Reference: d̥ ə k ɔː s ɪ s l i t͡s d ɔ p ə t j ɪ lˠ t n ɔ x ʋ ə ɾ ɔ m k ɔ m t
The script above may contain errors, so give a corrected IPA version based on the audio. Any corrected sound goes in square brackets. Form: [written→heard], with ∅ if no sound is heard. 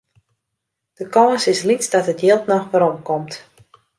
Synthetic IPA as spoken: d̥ ə k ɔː s ɪ s l i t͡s d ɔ [p→t] ə t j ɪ lˠ t n ɔ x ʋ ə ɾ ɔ m k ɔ m t